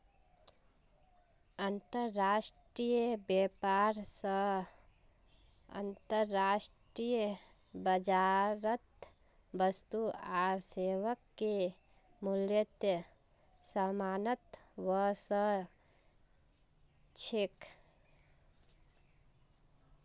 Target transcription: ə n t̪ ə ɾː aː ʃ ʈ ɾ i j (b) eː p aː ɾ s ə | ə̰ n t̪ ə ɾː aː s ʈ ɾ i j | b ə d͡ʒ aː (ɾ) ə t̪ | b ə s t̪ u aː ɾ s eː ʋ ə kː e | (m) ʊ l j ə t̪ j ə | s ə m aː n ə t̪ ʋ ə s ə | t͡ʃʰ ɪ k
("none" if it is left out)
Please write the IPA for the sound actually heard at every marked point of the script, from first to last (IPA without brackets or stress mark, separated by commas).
b, ɾ, m